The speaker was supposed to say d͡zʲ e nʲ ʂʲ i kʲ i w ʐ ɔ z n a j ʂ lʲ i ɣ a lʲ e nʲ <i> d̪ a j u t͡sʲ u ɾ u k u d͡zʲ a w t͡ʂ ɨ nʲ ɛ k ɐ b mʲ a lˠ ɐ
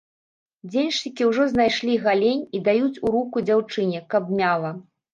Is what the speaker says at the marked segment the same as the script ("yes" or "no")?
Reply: yes